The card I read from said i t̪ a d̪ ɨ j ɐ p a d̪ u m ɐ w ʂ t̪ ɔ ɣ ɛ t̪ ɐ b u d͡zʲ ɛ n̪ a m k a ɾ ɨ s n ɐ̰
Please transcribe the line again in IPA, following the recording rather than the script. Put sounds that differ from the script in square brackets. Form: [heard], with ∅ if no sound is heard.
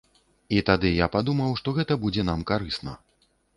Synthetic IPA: i t̪ a d̪ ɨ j [a] p a d̪ u m ɐ w ʂ t̪ ɔ ɣ ɛ t̪ ɐ b u d͡zʲ ɛ n̪ a m k a ɾ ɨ s n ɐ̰